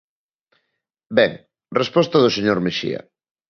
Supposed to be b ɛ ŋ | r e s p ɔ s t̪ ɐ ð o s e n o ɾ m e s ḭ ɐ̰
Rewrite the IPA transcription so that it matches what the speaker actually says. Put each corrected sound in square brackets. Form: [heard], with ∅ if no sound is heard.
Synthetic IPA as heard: b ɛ ŋ | r e s p ɔ s t̪ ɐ ð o s e [ɲ] o ɾ m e [ʃ] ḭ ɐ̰